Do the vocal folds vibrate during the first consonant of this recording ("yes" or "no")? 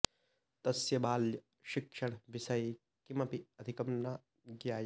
no